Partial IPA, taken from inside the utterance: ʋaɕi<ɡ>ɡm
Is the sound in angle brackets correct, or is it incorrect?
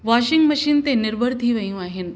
incorrect